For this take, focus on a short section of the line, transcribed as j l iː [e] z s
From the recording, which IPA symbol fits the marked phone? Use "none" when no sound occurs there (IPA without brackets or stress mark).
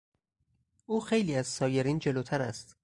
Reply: æ